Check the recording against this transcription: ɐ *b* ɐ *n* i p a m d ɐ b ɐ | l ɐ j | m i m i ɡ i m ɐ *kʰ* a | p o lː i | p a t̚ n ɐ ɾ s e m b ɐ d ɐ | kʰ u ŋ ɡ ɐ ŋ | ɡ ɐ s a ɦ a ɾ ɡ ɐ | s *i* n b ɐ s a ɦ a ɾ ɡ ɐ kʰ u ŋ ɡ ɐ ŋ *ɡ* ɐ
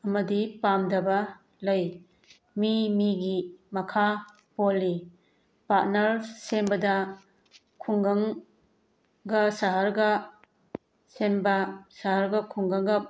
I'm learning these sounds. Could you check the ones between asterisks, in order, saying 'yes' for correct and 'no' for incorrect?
no, no, yes, no, yes

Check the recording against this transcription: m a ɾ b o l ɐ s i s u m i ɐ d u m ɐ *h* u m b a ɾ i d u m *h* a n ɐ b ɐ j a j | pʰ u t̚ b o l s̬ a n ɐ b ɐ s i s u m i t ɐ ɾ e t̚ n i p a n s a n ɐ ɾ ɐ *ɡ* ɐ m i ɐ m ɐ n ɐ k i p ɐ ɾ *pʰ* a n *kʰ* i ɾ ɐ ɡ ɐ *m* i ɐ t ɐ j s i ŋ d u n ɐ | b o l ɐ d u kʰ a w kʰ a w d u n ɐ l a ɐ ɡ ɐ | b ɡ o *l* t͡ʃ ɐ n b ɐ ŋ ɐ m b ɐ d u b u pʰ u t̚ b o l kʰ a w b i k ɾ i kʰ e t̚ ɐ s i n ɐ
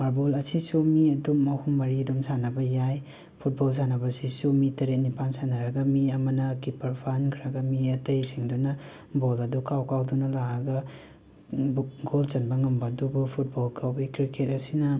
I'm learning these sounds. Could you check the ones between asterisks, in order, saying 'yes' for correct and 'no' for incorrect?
yes, no, yes, yes, yes, yes, yes

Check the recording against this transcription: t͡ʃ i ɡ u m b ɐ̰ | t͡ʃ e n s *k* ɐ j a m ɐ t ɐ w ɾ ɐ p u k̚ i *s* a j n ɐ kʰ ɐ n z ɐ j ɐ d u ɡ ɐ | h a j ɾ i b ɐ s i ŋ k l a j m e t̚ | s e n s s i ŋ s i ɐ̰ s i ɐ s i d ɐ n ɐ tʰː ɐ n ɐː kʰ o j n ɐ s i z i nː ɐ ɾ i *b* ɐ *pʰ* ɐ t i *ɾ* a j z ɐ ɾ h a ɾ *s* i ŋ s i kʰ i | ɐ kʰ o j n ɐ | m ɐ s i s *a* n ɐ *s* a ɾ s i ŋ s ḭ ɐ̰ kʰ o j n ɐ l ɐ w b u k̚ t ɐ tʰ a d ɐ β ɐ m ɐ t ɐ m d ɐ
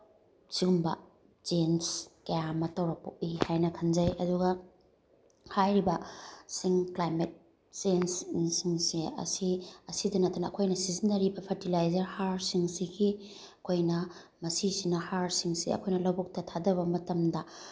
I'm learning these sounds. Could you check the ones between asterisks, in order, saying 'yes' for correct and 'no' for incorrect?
yes, no, yes, yes, no, yes, no, no

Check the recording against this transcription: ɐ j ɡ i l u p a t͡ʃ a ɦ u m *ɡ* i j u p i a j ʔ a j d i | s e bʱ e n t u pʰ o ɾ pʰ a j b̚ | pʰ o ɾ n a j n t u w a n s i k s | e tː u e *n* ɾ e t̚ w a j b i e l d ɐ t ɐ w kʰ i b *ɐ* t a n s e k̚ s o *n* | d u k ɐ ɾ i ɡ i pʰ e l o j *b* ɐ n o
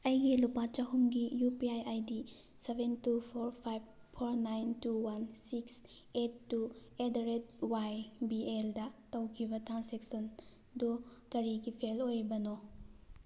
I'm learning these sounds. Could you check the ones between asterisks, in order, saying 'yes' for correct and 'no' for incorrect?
yes, no, yes, yes, yes

